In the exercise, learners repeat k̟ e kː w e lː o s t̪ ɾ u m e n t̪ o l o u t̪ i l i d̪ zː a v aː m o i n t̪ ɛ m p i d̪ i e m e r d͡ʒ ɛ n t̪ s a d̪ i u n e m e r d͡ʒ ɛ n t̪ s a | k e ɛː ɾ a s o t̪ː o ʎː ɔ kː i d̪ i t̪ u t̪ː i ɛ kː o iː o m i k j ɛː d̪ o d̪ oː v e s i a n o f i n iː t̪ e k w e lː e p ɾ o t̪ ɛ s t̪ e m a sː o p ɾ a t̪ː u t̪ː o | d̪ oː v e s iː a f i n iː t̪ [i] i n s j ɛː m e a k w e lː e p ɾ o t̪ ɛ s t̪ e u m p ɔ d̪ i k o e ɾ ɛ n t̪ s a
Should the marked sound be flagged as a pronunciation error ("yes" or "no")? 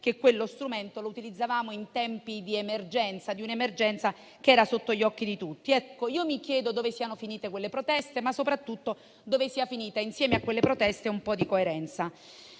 yes